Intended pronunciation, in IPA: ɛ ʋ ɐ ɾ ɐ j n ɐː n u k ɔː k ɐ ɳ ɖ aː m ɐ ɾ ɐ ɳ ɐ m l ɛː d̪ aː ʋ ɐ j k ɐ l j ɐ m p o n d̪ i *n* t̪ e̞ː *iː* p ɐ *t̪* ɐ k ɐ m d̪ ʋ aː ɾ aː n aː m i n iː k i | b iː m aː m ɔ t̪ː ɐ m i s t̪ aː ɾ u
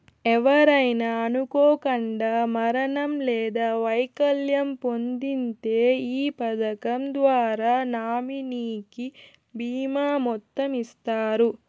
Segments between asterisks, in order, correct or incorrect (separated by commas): correct, correct, incorrect